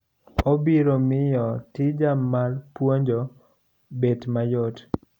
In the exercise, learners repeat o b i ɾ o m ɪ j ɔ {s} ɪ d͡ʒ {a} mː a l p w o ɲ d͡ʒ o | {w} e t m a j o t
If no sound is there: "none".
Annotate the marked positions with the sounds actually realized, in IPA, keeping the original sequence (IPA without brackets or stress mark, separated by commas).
t, a, b